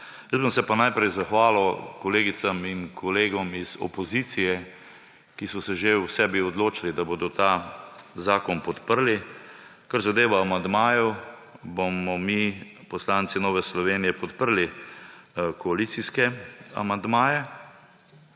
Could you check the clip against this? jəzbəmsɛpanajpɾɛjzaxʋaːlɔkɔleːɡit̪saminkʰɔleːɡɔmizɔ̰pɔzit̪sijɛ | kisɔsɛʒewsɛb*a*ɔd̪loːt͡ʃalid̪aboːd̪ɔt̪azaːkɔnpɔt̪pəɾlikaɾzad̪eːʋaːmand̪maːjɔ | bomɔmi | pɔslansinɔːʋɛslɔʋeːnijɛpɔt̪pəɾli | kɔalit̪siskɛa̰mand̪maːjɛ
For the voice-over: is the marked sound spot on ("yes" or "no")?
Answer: no